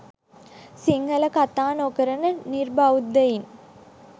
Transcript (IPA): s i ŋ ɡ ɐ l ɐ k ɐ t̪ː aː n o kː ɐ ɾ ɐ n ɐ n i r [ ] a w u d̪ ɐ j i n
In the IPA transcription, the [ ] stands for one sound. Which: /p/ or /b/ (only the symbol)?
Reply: b